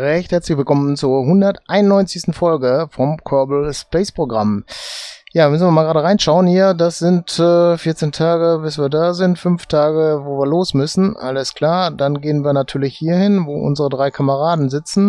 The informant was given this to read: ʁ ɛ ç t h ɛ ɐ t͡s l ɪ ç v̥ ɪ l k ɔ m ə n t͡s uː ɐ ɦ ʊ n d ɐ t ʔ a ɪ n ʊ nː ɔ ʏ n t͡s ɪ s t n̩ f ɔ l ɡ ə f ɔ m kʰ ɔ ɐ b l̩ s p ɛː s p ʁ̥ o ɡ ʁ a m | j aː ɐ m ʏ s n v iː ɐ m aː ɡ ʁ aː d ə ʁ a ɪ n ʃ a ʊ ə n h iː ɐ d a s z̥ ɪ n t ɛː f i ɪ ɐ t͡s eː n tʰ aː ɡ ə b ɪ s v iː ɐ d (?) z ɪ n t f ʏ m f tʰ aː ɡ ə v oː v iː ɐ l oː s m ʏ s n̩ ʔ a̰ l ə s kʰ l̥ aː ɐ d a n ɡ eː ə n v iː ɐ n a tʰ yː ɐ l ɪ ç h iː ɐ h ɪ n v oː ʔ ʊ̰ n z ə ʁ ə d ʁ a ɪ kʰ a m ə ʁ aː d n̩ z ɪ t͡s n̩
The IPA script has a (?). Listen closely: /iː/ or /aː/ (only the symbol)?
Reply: aː